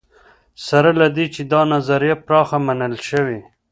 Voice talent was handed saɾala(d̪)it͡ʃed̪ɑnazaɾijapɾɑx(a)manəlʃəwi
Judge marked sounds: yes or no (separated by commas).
yes, yes